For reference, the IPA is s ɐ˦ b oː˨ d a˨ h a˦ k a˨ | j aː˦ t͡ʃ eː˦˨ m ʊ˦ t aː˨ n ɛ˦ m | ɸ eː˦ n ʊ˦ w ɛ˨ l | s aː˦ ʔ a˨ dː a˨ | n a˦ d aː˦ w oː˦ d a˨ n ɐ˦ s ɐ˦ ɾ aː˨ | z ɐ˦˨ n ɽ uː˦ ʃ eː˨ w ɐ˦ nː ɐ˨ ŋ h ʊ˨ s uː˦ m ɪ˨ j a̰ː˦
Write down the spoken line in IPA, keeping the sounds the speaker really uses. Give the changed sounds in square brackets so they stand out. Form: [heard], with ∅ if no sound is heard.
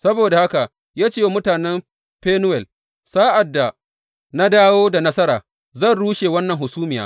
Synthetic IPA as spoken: s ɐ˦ b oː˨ d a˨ h a˦ k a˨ | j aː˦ t͡ʃ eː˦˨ m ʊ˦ t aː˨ n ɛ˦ m | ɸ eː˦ n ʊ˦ w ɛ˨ l | s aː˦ ʔ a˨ dː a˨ | n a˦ d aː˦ w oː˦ d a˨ n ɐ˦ s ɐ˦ ɾ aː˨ | z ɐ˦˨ n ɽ uː˦ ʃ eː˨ w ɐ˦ nː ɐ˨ ŋ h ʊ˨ s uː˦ m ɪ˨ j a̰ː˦

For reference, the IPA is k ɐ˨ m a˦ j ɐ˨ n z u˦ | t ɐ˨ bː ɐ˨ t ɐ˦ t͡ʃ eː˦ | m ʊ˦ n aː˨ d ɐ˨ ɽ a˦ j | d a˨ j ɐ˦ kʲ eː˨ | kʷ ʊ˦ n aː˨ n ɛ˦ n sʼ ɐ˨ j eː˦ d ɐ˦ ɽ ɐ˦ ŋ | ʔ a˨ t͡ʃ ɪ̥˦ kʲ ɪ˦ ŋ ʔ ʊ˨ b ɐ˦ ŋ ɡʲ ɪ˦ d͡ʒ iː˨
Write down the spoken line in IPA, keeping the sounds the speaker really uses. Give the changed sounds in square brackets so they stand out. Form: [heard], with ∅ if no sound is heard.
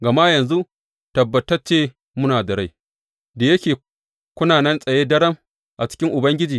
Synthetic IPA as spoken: [ɡ] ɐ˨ m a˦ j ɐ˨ n z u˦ | t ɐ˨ bː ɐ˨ t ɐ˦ t͡ʃ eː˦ | m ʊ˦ n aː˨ d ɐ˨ ɽ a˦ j | d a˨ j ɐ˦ kʲ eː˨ | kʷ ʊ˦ n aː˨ n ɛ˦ n sʼ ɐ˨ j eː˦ d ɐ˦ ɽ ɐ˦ [m] | ʔ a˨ t͡ʃ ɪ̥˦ kʲ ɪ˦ ŋ ʔ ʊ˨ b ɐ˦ ŋ ɡʲ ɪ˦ d͡ʒ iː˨

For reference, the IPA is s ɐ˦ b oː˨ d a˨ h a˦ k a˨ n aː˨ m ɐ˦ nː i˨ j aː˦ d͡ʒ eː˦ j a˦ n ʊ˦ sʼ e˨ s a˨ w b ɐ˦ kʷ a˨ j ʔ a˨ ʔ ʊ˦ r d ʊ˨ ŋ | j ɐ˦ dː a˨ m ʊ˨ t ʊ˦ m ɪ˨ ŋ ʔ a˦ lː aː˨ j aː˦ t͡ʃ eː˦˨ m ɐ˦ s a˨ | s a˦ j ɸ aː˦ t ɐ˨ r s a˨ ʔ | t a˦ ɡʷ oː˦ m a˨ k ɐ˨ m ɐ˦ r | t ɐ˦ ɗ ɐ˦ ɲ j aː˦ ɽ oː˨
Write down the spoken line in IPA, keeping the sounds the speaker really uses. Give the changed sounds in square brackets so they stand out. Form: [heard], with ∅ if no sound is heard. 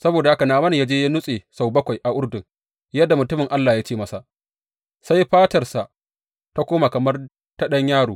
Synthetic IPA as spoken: s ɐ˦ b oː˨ d a˨ h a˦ k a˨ n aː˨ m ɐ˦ [n] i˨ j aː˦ d͡ʒ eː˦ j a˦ n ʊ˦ sʼ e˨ s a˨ w b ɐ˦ kʷ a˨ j ʔ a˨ ʔ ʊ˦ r d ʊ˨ ŋ | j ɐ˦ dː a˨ m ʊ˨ t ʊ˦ m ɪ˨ ŋ ʔ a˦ lː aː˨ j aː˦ t͡ʃ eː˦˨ m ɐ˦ s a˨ | s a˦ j ɸ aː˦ t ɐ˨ r s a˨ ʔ | t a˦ [kʷ] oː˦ m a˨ k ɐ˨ m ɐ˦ r | t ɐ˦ ɗ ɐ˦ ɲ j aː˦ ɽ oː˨

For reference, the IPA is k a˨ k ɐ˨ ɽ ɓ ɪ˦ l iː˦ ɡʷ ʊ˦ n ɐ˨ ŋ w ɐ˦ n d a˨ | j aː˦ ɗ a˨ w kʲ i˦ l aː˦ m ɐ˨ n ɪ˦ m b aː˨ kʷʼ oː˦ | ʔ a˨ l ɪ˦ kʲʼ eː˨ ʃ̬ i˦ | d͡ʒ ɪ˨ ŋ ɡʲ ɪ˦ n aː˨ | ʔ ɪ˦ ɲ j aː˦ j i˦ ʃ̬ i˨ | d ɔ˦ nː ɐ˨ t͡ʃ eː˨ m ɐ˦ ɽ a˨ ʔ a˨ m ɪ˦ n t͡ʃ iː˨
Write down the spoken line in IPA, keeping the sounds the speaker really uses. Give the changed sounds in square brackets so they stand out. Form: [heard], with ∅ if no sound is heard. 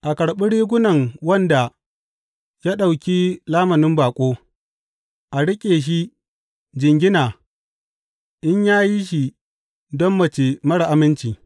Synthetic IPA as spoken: [ʔ] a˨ k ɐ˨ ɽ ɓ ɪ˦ [ɽ] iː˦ ɡʷ ʊ˦ n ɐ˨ ŋ w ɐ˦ n d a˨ | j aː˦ ɗ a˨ w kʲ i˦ l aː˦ m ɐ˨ n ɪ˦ m b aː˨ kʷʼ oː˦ | ʔ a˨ [ɽ] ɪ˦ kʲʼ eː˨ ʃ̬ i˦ | d͡ʒ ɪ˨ ŋ ɡʲ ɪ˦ n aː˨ | ʔ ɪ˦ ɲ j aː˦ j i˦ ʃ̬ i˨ | d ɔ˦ [mː] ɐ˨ t͡ʃ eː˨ m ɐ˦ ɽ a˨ ʔ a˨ m ɪ˦ n t͡ʃ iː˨

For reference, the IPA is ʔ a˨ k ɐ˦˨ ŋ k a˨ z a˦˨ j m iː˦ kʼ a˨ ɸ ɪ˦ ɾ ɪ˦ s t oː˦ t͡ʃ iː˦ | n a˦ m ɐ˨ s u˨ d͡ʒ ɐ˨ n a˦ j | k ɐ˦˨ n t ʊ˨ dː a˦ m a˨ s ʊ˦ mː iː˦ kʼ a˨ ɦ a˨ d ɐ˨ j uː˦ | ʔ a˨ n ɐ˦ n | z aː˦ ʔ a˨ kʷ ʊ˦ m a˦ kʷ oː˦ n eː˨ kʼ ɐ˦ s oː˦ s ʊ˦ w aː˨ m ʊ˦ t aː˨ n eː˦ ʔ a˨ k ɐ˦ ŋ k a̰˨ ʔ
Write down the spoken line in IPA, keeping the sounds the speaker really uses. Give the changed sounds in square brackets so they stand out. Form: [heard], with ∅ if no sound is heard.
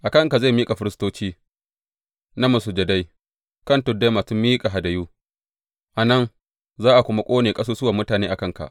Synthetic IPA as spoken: ʔ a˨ k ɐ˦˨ ŋ k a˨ z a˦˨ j m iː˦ kʼ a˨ ɸ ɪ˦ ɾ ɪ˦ s t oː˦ t͡ʃ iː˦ | n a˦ m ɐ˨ s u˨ d͡ʒ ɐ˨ [d] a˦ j | k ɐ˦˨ n t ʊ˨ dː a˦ m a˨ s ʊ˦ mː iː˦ kʼ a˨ ɦ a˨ d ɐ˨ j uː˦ | ʔ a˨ n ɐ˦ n | z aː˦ ʔ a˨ kʷ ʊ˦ m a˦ [kʷʼ] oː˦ n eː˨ kʼ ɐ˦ s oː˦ s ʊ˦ w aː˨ m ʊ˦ t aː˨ n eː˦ ʔ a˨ k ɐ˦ ŋ k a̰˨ ʔ

